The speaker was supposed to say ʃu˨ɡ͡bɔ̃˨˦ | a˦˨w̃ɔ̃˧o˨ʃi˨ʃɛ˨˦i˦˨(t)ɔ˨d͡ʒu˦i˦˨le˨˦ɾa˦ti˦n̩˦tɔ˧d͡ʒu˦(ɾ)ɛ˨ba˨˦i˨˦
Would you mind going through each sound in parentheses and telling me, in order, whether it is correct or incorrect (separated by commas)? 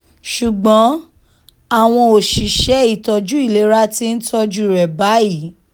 correct, correct